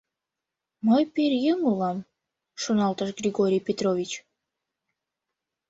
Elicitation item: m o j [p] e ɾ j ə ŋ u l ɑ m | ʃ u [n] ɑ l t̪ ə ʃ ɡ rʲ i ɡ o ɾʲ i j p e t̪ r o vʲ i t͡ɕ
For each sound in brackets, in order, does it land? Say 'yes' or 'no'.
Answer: yes, yes

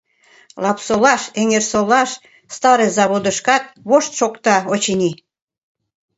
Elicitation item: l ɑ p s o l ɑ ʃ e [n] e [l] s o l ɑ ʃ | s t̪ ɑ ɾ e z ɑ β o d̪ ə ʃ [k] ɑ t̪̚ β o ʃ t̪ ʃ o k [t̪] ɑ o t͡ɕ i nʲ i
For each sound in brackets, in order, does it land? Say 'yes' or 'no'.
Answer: no, no, yes, yes

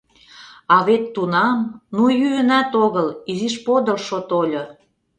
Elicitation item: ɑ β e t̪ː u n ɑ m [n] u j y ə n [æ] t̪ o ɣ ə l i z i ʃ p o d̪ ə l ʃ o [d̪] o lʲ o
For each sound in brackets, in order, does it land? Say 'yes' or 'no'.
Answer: yes, yes, no

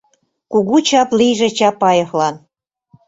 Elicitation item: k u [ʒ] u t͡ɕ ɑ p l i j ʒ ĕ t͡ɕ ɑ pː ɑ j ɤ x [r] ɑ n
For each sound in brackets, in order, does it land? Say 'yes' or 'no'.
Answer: no, no

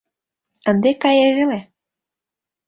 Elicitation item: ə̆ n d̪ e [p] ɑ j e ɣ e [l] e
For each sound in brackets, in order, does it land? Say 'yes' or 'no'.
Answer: no, yes

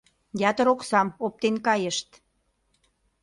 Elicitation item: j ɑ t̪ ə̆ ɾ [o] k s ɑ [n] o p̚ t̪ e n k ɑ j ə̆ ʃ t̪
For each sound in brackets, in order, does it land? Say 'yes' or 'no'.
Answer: yes, no

